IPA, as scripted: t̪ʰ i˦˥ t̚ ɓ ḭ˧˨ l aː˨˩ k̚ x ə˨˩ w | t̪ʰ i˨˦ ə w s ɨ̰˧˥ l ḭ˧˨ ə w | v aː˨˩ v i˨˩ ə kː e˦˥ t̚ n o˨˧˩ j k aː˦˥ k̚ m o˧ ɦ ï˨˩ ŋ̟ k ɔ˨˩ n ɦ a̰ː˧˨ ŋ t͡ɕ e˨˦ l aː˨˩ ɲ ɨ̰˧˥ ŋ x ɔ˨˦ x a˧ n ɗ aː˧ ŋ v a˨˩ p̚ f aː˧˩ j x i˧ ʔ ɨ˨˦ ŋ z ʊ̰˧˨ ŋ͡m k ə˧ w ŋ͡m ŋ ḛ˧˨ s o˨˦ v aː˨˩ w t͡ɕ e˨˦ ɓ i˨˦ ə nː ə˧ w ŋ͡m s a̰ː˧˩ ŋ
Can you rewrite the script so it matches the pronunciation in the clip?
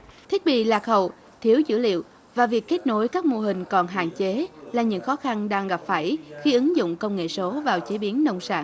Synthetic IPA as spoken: t̪ʰ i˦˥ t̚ ɓ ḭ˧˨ l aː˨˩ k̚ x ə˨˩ w | t̪ʰ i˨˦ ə w z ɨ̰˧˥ l ḭ˧˨ ə w | v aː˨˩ v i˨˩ ə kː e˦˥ t̚ n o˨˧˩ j k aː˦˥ k̚ m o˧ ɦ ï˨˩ ŋ̟ k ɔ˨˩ n ɦ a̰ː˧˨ ŋ t͡ɕ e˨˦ l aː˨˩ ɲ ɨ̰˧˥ ŋ x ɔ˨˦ x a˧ n ɗ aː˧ ŋ ɣ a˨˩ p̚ f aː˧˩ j x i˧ ʔ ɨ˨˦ ŋ z ʊ̰˧˨ ŋ͡m k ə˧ w ŋ͡m ŋ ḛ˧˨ s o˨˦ v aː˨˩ w t͡ɕ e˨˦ ɓ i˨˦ ə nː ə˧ w ŋ͡m s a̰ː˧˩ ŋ